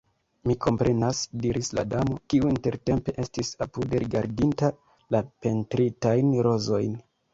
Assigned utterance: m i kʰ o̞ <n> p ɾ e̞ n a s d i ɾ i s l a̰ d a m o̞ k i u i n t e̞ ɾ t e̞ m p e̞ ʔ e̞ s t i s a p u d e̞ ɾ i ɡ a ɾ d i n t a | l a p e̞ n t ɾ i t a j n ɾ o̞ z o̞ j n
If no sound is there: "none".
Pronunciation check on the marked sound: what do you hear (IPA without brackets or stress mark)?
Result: m